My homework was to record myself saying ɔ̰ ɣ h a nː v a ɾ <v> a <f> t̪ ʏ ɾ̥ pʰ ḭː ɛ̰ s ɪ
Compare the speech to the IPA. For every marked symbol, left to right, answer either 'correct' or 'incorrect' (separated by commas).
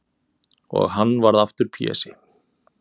incorrect, correct